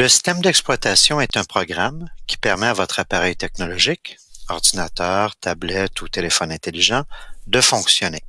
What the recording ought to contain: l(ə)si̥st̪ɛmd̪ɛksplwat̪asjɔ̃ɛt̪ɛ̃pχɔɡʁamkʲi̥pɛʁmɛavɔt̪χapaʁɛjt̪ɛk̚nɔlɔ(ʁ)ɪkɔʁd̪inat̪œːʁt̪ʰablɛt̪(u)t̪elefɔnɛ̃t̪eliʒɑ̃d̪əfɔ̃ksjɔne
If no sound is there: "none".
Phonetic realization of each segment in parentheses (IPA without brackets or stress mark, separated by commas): ə, ʒ, u